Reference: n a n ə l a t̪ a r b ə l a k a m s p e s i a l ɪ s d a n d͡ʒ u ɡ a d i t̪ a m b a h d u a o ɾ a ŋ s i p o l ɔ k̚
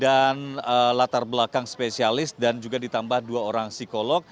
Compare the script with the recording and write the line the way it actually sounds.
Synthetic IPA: d a n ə l a t̪ a r b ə l a k a ŋ s p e s i a l ɪ s d a n d͡ʒ u ɡ a d i t̪ a m b a h d u a o ɾ a ŋ s i k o l ɔ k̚